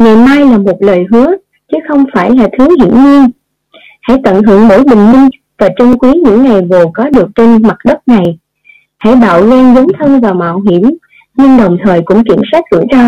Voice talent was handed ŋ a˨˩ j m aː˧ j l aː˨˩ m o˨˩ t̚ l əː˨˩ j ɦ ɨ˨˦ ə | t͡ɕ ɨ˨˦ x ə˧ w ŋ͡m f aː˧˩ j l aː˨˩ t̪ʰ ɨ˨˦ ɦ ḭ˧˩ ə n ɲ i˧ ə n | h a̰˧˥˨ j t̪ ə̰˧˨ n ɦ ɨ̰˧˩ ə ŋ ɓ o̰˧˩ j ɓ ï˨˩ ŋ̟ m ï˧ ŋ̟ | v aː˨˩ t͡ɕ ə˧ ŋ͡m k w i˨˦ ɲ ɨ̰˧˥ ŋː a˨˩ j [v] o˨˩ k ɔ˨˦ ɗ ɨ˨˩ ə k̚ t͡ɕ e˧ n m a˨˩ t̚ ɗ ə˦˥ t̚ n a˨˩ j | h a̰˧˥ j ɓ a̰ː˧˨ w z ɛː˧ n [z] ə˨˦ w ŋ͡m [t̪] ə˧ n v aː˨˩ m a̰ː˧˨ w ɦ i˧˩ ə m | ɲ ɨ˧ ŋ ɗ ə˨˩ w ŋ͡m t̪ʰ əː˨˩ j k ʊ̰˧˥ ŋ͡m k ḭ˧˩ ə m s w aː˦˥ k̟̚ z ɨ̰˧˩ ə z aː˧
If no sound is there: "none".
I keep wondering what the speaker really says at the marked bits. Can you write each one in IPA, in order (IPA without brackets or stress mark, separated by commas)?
v, z, t̪ʰ